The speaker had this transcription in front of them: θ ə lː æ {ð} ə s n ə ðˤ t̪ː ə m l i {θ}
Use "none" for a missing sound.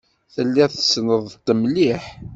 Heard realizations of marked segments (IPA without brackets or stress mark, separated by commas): θ, ħ